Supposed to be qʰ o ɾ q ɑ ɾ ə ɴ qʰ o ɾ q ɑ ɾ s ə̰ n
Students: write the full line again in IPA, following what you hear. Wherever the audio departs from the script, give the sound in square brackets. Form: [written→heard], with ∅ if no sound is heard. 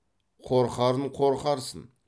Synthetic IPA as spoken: qʰ o ɾ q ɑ ɾ ə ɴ qʰ o ɾ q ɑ ɾ s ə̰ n